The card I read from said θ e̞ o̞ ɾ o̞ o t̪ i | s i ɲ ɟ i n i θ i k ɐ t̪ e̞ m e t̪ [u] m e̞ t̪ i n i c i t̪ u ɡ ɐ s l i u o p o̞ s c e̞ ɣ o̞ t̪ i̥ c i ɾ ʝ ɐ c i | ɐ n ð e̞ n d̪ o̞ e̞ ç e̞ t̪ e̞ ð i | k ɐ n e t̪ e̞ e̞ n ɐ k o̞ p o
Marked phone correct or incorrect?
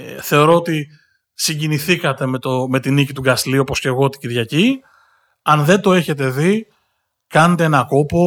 incorrect